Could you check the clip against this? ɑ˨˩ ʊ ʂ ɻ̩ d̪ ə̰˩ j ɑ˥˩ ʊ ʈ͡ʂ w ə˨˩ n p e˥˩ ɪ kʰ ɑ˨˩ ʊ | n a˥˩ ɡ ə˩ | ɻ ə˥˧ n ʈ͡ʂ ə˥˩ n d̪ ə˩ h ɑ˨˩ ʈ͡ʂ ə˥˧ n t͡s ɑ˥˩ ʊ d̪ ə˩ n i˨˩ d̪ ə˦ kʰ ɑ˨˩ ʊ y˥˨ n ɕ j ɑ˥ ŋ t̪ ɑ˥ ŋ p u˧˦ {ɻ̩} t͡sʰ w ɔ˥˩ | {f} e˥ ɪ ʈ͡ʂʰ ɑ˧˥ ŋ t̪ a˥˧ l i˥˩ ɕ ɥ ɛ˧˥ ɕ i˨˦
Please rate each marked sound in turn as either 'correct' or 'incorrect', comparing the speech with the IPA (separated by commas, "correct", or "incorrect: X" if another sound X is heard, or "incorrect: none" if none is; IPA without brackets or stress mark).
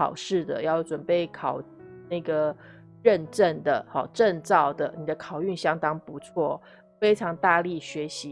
incorrect: none, correct